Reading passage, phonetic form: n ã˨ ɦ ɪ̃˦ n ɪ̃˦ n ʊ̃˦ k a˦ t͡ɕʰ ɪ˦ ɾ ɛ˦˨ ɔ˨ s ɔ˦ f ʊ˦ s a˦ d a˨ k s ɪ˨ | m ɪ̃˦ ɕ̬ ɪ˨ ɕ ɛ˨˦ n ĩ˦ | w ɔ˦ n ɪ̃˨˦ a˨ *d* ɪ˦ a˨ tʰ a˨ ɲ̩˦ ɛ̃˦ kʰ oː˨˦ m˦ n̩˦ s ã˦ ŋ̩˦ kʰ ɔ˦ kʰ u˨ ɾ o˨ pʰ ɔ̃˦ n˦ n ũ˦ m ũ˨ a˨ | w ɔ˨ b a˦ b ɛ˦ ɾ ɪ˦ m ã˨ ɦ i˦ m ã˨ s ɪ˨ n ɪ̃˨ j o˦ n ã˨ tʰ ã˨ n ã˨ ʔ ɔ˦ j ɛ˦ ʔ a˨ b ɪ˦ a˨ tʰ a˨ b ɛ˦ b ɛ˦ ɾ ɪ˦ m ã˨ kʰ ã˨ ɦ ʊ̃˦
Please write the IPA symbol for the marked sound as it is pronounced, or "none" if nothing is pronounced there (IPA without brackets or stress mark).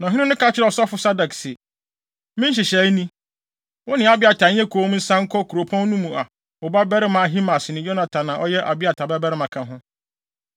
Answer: b